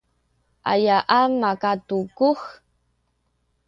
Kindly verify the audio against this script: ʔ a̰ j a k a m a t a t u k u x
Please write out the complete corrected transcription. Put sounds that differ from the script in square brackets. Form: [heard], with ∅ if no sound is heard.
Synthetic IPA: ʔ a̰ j a [ʔ] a m a [k] a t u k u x